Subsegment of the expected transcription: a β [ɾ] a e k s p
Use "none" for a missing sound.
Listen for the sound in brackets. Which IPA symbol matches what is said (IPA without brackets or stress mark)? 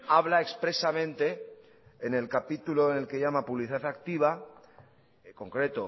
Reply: l